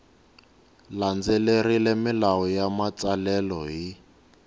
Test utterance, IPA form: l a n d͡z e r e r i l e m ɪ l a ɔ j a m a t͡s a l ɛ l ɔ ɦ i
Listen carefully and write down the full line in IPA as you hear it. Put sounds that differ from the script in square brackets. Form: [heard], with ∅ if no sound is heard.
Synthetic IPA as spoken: l a n d͡z e [l] e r i l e m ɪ l a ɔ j a m a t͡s a l ɛ l ɔ ɦ i